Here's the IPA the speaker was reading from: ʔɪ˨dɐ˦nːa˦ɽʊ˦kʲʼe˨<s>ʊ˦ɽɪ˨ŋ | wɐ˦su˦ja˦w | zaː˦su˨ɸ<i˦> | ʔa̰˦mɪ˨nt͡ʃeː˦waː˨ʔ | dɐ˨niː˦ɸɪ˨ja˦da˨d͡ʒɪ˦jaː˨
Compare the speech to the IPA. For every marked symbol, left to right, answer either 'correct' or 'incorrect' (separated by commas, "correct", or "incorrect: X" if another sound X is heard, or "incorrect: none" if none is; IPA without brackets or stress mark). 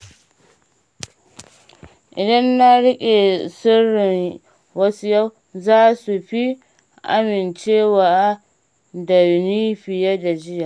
correct, correct